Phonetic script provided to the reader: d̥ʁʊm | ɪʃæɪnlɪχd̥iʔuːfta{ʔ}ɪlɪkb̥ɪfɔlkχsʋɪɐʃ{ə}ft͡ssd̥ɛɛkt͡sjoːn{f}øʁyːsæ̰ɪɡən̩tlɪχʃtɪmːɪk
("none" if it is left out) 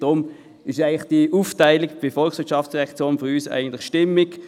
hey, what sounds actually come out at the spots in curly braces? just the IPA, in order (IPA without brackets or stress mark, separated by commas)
none, ɑ, f